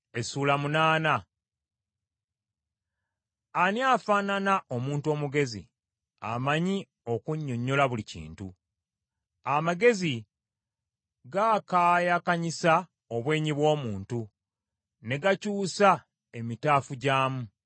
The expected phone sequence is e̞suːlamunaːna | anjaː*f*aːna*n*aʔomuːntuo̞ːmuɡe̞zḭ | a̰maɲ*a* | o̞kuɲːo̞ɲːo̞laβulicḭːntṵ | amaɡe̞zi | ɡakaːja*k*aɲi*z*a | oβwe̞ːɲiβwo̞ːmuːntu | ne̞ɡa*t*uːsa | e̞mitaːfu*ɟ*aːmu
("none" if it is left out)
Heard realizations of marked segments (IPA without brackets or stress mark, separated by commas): f, n, i, k, s, c, ɟ